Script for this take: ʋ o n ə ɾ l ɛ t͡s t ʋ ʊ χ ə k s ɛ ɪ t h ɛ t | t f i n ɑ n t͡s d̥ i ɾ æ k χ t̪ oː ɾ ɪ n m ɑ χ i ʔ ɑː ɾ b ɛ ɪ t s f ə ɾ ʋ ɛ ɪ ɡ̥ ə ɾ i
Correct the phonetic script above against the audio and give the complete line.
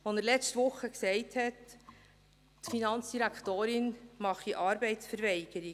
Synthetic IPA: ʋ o n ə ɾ l ɛ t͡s t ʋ ʊ χ ə k s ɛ ɪ t h ɛ t | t f i n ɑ n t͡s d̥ i ɾ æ k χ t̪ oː ɾ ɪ n m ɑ χ i ʔ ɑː ɾ b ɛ ɪ t s f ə ɾ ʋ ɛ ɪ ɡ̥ ə ɾ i